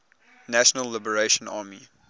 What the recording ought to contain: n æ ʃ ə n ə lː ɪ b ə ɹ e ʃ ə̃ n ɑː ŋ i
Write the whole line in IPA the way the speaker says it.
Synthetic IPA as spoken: n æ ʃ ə n ə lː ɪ b ə ɹ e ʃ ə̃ n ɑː m i